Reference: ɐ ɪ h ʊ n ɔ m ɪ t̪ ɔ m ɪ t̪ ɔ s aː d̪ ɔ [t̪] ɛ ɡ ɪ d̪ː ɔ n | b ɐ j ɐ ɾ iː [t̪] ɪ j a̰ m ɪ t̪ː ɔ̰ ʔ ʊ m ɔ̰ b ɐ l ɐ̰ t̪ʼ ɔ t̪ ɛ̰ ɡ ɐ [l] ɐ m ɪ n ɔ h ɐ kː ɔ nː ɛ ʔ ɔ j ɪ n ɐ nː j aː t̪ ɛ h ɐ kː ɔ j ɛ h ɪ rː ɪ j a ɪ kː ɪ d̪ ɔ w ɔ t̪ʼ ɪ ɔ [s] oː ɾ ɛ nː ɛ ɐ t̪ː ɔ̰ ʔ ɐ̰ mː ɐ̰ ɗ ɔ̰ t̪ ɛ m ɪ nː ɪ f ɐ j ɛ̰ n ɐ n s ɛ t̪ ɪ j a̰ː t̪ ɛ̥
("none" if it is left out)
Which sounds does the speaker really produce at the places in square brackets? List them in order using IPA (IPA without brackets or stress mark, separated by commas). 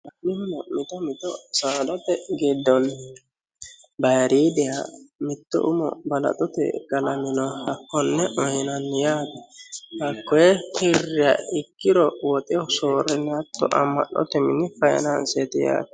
t̪, d̪, l, s